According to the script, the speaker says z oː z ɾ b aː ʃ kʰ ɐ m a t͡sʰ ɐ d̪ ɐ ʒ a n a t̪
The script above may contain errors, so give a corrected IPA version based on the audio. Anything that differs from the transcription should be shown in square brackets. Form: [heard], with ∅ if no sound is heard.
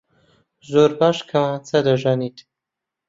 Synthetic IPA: z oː [∅] ɾ b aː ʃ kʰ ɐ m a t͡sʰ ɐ d̪ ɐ ʒ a n [i] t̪